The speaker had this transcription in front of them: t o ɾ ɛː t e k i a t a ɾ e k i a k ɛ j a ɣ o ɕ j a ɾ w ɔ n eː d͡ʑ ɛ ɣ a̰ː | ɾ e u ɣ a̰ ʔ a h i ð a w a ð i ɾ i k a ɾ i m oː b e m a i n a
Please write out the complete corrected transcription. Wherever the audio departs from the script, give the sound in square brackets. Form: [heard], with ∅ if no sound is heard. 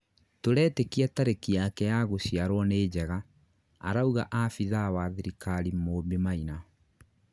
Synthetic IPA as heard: t o ɾ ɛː t e k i a t a ɾ e k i a k ɛ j a ɣ o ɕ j a ɾ w ɔ n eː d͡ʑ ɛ ɣ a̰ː | ɾ [a] u ɣ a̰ ʔ a [f] i ð a w a ð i ɾ i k a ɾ i m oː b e m a i n a